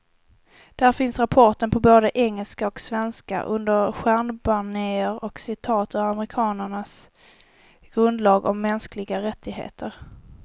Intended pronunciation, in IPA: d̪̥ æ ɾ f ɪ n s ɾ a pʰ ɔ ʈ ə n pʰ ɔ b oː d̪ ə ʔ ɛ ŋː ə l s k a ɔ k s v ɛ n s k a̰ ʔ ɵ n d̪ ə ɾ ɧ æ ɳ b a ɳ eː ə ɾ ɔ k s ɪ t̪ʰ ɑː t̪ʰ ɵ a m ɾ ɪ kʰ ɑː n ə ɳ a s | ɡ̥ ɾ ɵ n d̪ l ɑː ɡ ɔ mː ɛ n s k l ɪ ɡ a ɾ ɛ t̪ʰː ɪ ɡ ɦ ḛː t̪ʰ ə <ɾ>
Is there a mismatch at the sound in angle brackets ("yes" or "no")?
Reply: no